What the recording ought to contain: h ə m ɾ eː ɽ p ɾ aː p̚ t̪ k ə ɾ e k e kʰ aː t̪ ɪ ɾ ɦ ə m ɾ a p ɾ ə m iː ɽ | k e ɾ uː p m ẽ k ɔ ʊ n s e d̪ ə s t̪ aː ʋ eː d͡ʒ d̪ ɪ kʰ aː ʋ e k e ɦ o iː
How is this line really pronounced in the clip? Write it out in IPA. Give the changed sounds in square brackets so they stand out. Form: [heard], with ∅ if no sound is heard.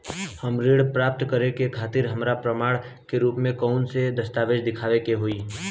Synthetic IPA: h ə m ɾ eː ɽ p ɾ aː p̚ t̪ k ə ɾ e k e kʰ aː t̪ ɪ ɾ ɦ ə m ɾ a p ɾ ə m [aː] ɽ | k e ɾ uː p m ẽ k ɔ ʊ n s e d̪ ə s t̪ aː ʋ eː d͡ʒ d̪ ɪ kʰ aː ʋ e k e ɦ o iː